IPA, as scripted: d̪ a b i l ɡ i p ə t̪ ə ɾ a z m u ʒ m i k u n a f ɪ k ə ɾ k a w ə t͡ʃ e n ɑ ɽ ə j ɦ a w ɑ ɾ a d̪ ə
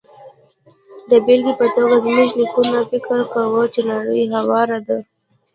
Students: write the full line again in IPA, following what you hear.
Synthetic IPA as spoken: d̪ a b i l ɡ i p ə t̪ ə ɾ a z m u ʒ n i k u n a f ɪ k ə ɾ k a w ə t͡ʃ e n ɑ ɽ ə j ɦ a w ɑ ɾ a d̪ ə